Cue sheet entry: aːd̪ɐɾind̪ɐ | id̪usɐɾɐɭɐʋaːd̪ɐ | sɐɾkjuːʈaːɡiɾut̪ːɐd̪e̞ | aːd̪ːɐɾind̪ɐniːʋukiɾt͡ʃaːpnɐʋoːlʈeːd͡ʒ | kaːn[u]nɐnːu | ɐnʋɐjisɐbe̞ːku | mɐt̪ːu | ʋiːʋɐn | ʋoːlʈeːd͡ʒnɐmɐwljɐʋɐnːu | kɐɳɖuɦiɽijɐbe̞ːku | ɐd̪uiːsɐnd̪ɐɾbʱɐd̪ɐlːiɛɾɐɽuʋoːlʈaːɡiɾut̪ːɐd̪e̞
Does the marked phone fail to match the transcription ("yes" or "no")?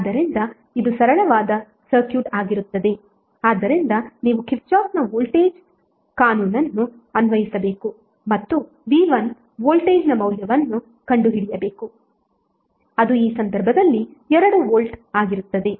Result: yes